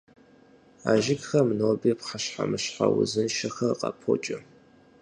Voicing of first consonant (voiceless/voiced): voiced